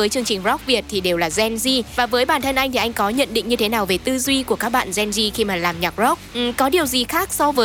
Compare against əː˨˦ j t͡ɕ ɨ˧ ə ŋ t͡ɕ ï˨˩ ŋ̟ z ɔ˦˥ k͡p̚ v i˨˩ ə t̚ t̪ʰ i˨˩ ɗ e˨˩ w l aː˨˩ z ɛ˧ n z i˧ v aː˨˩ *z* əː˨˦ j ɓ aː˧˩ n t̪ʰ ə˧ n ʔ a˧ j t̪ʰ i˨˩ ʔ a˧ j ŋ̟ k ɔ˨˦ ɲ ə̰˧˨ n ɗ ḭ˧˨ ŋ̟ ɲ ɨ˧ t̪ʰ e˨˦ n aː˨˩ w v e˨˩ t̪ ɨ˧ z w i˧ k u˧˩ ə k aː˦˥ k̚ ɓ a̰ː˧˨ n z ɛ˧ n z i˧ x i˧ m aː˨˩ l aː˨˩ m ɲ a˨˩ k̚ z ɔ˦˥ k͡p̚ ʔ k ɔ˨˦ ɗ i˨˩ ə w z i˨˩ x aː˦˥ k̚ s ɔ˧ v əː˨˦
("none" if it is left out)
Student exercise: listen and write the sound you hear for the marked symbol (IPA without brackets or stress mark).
v